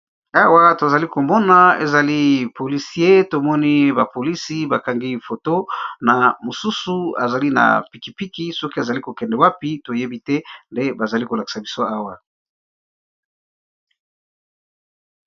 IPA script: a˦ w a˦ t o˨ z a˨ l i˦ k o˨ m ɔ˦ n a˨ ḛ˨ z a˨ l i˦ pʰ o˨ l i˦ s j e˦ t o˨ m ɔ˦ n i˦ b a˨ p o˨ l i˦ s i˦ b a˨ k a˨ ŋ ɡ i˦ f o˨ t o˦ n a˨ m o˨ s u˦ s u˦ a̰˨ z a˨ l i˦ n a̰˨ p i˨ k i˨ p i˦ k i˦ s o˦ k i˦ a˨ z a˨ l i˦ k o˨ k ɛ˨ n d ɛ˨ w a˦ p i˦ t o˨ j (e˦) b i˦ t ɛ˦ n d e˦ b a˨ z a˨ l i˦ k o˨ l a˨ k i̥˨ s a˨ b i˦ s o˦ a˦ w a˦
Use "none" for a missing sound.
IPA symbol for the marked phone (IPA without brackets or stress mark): e˦